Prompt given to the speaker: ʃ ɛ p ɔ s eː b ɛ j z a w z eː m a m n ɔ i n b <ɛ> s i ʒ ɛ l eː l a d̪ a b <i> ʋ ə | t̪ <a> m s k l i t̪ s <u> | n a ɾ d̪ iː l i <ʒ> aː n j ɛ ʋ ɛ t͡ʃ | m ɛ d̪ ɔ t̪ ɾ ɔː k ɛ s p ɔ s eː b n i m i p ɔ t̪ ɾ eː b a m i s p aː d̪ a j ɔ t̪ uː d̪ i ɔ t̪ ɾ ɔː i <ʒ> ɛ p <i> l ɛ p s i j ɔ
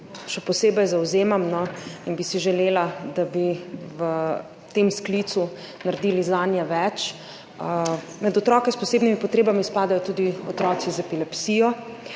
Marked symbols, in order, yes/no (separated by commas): no, yes, no, yes, no, no, yes